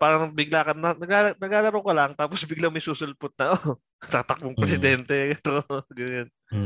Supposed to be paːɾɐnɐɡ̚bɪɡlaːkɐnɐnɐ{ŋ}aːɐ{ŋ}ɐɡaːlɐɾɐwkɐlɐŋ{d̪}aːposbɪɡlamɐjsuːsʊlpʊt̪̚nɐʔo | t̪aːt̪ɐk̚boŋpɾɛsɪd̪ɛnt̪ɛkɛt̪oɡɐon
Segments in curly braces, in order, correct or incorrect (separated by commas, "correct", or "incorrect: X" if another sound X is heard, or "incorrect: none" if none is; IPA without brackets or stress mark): incorrect: ɡ, incorrect: n, incorrect: t̪